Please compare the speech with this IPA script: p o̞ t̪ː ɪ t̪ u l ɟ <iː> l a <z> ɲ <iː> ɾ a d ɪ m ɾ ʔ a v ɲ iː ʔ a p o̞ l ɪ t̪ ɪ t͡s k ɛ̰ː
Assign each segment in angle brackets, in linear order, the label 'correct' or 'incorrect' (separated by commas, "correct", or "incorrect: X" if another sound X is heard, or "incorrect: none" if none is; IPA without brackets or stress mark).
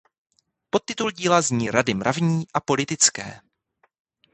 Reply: correct, correct, correct